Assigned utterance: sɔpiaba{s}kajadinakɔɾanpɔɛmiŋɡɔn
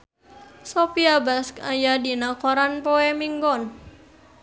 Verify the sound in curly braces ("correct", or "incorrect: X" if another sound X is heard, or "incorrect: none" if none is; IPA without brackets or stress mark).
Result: correct